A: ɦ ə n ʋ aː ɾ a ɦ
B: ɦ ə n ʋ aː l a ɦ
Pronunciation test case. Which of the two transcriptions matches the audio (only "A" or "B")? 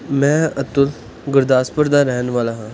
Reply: B